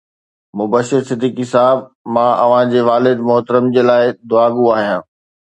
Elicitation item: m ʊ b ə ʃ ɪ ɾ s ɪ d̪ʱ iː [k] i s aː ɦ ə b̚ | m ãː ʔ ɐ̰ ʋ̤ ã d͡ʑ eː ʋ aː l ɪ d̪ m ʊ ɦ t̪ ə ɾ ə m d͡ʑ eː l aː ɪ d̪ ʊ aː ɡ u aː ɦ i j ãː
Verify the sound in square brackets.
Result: correct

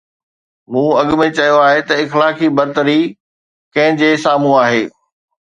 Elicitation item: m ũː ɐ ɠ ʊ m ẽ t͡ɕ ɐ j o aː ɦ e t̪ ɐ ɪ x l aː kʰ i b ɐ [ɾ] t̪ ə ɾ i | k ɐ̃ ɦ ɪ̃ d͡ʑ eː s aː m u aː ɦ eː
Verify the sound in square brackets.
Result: correct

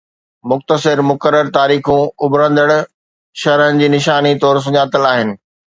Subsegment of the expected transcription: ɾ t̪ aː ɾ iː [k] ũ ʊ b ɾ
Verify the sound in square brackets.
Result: incorrect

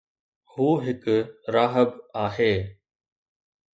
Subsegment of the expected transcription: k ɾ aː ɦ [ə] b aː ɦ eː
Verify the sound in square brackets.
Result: correct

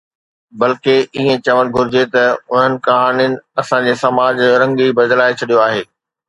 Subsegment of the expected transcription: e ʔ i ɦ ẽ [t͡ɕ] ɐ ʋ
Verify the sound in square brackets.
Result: correct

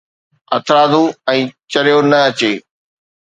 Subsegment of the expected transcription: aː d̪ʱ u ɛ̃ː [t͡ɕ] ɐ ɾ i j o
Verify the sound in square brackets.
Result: correct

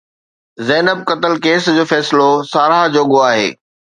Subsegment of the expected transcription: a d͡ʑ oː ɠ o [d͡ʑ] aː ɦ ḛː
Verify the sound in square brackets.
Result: incorrect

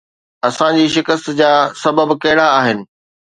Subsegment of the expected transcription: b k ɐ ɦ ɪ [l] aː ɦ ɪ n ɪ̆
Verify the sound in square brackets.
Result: incorrect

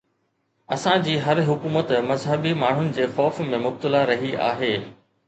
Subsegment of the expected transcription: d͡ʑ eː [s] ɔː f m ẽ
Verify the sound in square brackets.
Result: incorrect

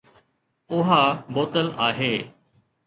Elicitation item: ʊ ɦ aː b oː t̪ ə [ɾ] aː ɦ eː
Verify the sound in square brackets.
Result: incorrect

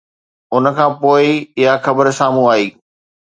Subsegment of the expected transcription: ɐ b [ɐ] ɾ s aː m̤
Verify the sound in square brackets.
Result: incorrect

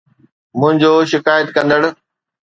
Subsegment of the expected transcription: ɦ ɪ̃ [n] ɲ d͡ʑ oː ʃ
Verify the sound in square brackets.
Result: incorrect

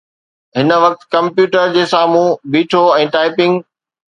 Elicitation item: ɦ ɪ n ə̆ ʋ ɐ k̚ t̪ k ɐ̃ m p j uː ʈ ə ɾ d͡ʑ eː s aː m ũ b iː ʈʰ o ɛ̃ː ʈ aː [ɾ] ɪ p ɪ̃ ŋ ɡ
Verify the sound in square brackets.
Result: incorrect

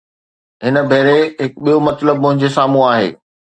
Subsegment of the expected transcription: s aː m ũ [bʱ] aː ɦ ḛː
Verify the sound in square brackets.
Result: incorrect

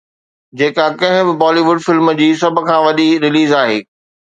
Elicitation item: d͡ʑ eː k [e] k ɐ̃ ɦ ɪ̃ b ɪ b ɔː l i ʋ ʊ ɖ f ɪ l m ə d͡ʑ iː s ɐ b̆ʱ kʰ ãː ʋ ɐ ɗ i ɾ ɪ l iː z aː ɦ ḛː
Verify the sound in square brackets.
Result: incorrect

